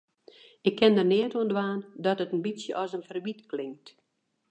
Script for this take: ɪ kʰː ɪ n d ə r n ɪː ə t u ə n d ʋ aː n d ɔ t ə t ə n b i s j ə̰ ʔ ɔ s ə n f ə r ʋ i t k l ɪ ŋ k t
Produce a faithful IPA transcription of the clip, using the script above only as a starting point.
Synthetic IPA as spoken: ɪ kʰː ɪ n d ə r n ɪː ə t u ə n d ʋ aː n d ɔ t ə t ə n b i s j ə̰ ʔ ɔ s ə n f ə r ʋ i t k l ɪ ŋ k t